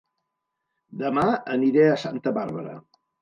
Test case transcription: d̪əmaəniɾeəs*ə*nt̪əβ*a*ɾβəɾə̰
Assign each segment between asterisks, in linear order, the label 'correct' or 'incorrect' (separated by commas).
incorrect, correct